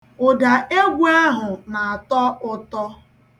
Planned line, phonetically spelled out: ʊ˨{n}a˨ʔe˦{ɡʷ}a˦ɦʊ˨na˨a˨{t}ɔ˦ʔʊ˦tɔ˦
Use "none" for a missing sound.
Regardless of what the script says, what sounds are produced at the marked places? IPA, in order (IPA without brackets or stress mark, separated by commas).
d, ɡʷ, t